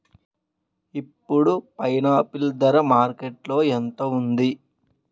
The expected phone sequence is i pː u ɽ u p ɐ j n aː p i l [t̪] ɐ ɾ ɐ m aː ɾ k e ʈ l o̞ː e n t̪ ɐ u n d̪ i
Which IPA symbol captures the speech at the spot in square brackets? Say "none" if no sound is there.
d̪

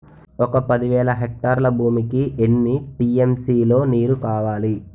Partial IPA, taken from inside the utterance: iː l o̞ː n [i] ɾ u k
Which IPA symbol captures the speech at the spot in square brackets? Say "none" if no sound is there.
iː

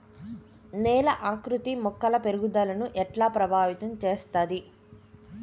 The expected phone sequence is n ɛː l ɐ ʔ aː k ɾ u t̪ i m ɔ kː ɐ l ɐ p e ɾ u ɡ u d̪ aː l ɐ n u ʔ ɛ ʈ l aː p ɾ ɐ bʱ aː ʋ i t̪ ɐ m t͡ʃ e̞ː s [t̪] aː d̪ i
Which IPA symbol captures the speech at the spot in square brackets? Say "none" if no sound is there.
t̪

